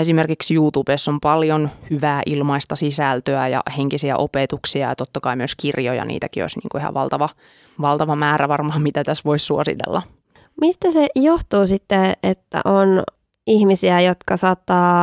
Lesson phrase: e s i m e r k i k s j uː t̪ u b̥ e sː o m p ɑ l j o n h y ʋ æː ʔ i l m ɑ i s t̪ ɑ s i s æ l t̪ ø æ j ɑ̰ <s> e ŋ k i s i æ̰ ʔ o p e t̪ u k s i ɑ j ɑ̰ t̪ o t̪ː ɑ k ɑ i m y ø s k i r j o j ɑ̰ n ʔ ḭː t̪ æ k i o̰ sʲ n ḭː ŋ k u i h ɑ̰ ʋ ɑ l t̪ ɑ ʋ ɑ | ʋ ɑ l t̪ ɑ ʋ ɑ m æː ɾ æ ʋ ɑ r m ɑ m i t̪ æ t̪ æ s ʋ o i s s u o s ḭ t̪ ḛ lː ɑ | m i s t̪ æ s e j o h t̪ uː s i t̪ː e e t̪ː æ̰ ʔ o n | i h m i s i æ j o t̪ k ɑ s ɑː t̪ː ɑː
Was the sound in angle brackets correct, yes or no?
no